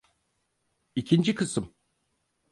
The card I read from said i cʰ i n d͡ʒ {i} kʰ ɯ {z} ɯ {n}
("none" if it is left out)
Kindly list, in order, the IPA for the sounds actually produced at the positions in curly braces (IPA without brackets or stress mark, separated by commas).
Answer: i, s, m